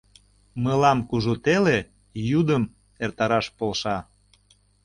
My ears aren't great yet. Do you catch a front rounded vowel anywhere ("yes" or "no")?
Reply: no